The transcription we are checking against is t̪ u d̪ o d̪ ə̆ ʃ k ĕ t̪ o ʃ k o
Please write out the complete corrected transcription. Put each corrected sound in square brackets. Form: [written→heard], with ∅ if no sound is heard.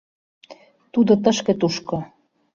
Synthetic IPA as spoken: t̪ u d̪ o [d̪→t̪] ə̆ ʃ k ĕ t̪ [o→u] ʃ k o

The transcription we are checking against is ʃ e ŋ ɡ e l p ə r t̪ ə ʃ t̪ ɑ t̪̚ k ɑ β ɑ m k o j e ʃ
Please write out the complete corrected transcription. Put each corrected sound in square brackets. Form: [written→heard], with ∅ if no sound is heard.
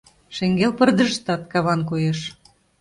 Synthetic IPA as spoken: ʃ e ŋ ɡ e l p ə r [t̪→d̪] ə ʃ t̪ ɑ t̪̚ k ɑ β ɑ [m→n] k o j e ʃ

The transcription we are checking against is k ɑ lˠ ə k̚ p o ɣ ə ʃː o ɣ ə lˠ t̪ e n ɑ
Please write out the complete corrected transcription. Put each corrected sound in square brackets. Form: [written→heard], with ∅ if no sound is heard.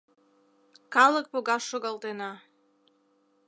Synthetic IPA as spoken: k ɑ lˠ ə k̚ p o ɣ [ə→ɑ] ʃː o ɣ [ə→ɑ] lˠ t̪ e n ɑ

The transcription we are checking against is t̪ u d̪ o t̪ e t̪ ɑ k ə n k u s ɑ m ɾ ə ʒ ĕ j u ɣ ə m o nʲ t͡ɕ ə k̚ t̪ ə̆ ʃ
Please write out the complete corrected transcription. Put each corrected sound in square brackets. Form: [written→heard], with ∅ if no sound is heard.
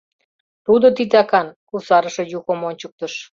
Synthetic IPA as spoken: t̪ u d̪ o t̪ [e→i] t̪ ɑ k [ə→ɑ] n k u s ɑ [m→∅] ɾ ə [ʒ→ʃ] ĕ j u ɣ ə m o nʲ t͡ɕ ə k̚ t̪ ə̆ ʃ

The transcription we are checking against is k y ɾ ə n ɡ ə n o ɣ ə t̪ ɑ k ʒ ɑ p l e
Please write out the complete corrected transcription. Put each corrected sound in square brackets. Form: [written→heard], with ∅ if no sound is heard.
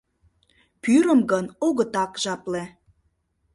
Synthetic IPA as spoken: [k→p] y ɾ ə [n→m] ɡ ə n o ɣ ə t̪ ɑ k ʒ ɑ p l e

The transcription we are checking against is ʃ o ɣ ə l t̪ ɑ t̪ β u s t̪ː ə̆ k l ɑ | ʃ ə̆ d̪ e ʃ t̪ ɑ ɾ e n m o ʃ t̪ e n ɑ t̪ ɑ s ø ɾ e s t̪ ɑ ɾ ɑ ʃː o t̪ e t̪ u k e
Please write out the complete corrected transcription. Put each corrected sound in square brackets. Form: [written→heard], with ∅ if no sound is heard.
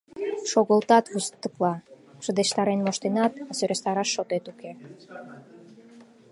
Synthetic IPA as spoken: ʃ o ɣ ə l t̪ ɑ t̪ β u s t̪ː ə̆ k l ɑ | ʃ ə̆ d̪ e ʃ t̪ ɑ ɾ e n m o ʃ t̪ e n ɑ t̪ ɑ s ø ɾ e s t̪ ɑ ɾ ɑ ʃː o t̪ e t̪ u k e

